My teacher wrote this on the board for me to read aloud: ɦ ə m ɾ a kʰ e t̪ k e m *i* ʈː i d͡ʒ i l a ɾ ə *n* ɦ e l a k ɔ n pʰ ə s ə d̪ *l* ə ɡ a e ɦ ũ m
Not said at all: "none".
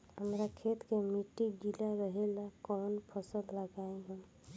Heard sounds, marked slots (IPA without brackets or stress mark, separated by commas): i, none, l